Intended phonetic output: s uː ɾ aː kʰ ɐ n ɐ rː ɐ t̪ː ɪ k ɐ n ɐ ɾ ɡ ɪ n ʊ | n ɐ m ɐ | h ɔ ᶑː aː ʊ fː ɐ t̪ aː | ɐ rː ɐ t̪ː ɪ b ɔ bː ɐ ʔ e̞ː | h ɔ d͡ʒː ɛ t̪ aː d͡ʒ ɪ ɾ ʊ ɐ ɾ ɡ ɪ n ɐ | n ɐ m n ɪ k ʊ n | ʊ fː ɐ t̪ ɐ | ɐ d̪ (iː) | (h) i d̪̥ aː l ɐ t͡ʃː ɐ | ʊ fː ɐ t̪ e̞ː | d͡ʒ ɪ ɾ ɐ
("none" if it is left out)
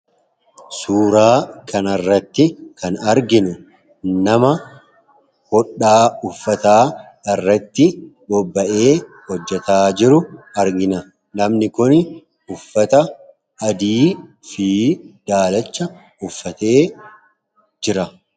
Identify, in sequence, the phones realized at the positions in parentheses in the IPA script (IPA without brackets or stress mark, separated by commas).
iː, f